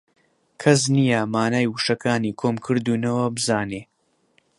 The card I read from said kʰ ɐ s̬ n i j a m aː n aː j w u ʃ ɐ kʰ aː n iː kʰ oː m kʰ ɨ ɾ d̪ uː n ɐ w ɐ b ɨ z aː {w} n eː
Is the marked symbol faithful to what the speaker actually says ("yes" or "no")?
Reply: no